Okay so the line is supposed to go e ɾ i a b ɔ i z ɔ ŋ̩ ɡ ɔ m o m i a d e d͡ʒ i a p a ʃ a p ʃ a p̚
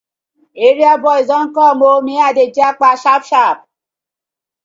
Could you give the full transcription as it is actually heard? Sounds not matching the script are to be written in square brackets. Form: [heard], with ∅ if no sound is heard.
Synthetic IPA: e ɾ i a b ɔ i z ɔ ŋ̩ [k] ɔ m o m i a d e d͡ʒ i a [k͡p] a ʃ a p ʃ a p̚